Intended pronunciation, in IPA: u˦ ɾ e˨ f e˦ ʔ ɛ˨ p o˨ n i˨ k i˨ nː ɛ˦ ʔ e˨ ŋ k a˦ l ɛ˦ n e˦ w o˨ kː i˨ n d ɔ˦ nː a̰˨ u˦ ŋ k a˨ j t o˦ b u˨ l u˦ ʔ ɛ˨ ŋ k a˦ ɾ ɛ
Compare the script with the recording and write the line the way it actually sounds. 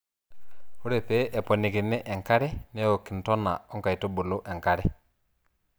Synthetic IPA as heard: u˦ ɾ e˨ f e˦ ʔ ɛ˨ p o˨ n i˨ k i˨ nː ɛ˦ ʔ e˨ ŋ k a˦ ɾ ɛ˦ n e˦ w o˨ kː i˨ n t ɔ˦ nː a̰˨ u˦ ŋ k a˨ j t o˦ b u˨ l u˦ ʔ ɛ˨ ŋ k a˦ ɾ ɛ